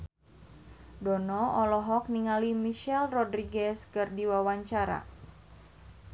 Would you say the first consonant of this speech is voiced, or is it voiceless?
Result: voiced